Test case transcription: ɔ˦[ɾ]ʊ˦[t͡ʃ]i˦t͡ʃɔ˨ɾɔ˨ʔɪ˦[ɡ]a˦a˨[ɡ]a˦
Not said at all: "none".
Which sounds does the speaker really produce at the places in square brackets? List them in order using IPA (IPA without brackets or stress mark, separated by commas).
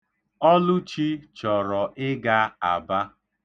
l, t͡ʃ, ɡ, b